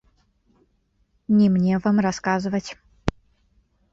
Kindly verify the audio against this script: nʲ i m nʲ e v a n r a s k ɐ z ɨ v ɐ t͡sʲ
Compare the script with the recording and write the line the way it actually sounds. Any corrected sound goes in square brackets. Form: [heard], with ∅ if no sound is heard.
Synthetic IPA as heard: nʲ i m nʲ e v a [m] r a s k [a] z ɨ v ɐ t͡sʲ